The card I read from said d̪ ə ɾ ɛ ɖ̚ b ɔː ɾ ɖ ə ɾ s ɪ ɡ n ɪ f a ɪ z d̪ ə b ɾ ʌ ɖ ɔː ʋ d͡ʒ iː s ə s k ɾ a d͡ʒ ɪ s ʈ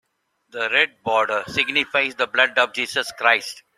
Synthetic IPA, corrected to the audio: d̪ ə ɾ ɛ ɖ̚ b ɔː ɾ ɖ ə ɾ s ɪ ɡ n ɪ f a ɪ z d̪ ə b l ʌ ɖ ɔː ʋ d͡ʒ iː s ə s k ɾ a ɪ s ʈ